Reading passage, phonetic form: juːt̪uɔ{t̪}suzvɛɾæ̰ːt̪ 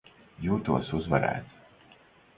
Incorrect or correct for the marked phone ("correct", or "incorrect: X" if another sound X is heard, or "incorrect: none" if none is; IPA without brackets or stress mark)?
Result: incorrect: none